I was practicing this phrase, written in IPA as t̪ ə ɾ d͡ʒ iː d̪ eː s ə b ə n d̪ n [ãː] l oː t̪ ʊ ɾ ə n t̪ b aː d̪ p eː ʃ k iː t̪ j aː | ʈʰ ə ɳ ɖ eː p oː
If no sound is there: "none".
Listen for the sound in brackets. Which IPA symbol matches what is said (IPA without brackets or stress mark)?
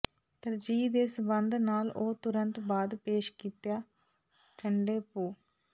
aː